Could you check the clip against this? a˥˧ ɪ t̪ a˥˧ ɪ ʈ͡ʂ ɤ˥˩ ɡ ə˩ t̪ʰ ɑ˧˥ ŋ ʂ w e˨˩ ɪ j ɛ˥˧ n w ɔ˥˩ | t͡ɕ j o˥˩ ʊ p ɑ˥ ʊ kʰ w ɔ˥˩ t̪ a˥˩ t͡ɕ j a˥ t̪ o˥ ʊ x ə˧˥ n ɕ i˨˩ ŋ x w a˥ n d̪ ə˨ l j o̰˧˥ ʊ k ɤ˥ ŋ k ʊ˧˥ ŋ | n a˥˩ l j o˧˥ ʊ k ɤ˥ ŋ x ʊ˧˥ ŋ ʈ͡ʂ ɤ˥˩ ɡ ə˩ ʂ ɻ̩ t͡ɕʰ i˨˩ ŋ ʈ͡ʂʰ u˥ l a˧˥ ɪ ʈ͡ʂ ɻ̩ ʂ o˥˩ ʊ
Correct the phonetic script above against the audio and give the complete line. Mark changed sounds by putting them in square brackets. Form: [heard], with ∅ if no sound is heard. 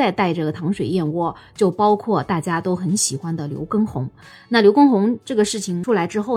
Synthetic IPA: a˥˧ ɪ t̪ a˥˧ ɪ ʈ͡ʂ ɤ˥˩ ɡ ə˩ t̪ʰ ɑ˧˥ ŋ ʂ w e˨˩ ɪ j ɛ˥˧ n w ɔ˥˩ | t͡ɕ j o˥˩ ʊ p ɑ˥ ʊ kʰ w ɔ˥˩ t̪ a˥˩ t͡ɕ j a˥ t̪ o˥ ʊ x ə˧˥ n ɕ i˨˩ [∅] x w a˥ n d̪ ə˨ l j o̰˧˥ ʊ k ɤ˥ ŋ [x] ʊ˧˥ ŋ | n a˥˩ l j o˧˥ ʊ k ɤ˥ ŋ x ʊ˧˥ ŋ ʈ͡ʂ ɤ˥˩ ɡ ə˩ ʂ ɻ̩ t͡ɕʰ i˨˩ ŋ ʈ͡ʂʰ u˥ l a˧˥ ɪ ʈ͡ʂ ɻ̩ [x] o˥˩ ʊ